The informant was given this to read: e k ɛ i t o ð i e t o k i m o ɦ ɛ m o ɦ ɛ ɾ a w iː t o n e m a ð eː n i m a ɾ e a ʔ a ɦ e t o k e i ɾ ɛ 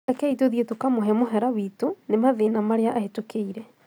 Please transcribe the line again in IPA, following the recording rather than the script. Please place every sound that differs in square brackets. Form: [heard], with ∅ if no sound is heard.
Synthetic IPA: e k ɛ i t o ð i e t o k [a] m o ɦ ɛ m o ɦ ɛ ɾ a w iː t o n e m a ð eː n [a] m a ɾ e a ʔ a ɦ e t o k e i ɾ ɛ